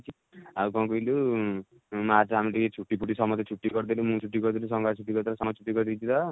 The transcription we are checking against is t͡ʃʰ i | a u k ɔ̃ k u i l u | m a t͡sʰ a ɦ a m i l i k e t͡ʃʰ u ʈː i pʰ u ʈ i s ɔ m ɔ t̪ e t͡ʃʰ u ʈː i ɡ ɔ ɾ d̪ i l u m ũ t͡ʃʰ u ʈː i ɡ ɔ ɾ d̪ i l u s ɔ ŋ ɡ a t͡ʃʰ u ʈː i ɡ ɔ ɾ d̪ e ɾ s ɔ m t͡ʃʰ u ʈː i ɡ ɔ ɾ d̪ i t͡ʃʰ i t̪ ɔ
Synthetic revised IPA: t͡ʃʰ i | a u k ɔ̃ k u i l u | m a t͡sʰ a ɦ a m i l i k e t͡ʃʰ u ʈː i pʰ u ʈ i s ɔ m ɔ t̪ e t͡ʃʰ u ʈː i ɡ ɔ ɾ d̪ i l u m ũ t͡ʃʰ u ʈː i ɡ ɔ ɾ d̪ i l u s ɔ ŋ ɡ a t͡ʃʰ u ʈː i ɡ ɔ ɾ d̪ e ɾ s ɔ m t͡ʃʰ u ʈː i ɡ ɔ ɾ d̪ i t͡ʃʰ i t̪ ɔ